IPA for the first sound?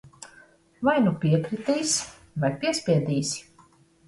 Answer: v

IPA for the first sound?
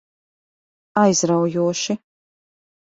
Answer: a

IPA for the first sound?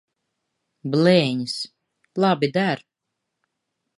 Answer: b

